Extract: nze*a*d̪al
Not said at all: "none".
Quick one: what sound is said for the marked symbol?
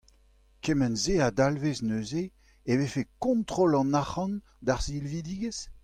a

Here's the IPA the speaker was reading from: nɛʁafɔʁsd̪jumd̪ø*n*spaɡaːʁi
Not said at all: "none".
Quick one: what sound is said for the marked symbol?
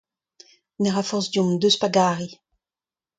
none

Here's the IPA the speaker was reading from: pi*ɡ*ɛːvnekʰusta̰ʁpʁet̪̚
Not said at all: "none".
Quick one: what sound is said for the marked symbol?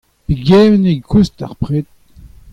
ɡ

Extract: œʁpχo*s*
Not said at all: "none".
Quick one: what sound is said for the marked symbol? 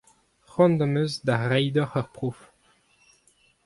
f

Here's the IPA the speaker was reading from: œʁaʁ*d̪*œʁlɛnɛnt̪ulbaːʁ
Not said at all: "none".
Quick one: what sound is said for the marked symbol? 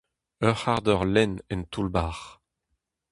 d̪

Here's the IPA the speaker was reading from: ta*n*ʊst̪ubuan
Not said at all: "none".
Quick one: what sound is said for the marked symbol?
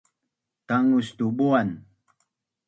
ŋ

